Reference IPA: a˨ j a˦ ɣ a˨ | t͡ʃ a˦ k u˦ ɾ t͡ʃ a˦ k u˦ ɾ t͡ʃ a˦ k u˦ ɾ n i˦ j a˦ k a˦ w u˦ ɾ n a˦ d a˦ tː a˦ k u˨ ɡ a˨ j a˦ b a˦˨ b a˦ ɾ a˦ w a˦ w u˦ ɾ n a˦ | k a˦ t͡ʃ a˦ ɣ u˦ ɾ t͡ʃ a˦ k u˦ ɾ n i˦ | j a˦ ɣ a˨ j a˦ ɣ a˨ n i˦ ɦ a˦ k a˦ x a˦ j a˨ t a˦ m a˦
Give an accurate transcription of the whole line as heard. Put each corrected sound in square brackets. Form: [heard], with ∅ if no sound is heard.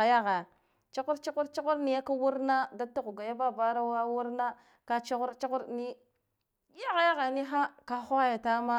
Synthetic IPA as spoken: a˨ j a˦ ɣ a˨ | t͡ʃ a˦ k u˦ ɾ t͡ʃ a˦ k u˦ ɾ t͡ʃ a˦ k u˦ ɾ n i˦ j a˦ k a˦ w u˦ ɾ n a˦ d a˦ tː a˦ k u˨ ɡ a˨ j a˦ b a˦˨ b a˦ ɾ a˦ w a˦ w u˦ ɾ n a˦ | k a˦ t͡ʃ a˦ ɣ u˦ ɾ t͡ʃ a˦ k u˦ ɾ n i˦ | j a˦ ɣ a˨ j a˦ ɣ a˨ n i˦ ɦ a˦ k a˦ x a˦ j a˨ t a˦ m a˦